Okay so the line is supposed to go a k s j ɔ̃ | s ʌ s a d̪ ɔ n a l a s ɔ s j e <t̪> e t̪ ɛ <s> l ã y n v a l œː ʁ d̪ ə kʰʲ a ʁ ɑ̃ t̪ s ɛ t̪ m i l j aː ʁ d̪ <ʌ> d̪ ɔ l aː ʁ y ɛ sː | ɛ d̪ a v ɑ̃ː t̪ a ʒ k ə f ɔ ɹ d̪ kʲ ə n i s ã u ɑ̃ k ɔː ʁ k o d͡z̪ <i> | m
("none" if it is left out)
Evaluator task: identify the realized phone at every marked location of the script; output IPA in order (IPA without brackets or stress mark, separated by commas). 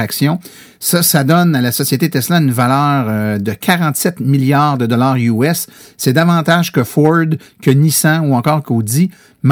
t̪, s, ə, i